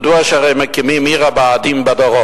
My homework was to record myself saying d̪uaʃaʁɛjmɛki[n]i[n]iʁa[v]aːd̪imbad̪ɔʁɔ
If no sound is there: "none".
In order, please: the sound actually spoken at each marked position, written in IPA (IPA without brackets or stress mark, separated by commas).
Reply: m, m, b